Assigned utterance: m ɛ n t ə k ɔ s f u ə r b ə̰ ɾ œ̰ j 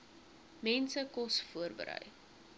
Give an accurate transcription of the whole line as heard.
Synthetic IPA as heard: m ɛ n s ə k ɔ s f u ə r b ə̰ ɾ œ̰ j